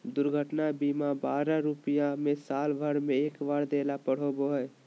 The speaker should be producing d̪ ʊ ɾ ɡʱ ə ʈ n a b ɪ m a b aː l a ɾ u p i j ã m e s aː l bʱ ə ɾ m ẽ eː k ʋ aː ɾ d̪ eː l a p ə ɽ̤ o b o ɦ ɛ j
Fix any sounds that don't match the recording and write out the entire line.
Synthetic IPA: d̪ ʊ ɾ ɡʱ ə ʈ n a b i m a b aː ɾ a ɾ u p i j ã m e s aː l bʱ ə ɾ m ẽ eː k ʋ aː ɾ d̪ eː l a p ə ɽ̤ o b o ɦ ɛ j

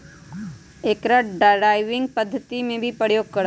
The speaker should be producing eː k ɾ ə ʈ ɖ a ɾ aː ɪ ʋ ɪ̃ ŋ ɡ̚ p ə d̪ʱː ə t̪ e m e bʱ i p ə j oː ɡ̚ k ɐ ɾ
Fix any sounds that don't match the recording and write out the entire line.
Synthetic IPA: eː k ɾ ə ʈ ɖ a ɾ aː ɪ ʋ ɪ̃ ŋ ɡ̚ p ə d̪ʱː ə t̪ i m ẽ bʱ i p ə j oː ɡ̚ k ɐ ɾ

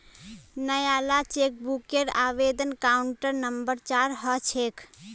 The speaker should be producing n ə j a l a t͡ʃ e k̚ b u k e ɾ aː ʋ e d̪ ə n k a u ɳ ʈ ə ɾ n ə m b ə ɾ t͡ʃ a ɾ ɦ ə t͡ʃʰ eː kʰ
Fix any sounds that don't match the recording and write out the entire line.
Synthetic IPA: n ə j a l a t͡ʃ e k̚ b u k e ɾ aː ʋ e d̪ ə n k a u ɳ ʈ ə ɾ n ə m b ə ɾ t͡ʃ a ɾ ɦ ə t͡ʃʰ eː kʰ

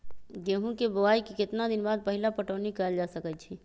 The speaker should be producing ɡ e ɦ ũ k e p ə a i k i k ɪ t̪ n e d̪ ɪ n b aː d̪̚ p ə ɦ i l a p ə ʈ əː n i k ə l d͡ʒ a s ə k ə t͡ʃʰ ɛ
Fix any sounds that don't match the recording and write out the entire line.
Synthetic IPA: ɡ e ɦ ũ k e b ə a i k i k ɪ t̪ n a d̪ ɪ n b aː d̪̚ p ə ɦ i l a p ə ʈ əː n i k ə l d͡ʒ a s ə k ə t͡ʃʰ i

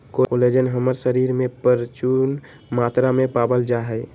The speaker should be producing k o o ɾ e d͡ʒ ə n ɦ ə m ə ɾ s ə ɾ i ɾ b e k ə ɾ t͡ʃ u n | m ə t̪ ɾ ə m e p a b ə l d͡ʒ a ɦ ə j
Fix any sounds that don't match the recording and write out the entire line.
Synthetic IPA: k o o l e d͡ʒ ə n ɦ ə m ə ɾ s ə ɾ i ɾ m e p ə ɾ t͡ʃ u n | m a t̪ ɾ a m e p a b ə l d͡ʒ a ɦ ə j

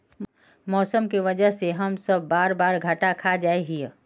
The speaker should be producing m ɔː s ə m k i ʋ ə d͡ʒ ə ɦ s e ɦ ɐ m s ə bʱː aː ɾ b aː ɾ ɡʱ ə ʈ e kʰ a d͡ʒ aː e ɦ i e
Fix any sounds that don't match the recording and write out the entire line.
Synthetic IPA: m ɔː s ə m k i ʋ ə d͡ʒ ə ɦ s e ɦ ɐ m s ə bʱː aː ɾ b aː ɾ ɡʱ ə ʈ a kʰ a d͡ʒ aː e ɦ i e

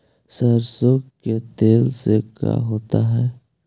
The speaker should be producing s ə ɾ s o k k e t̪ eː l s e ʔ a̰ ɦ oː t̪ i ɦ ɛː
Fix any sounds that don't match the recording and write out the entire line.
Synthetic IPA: s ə ɾ s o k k e t̪ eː l s e k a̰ ɦ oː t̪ a ɦ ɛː

